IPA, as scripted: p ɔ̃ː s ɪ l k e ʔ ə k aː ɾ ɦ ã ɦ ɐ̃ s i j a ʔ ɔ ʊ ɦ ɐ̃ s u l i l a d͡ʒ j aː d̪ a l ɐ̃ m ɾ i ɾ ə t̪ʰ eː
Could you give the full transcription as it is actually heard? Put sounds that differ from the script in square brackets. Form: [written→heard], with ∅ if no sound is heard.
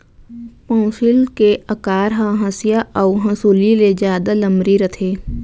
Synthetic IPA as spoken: p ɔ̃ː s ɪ l k e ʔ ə k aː ɾ ɦ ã ɦ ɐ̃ s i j a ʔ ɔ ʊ ɦ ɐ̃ s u l i l [a→e] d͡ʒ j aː d̪ a l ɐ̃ m ɾ i ɾ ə t̪ʰ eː